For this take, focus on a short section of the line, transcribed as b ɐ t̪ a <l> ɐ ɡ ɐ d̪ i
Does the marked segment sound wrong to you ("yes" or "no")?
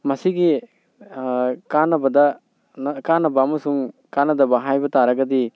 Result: yes